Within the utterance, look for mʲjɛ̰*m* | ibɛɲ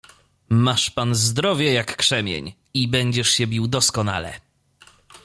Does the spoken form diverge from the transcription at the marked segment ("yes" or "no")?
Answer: yes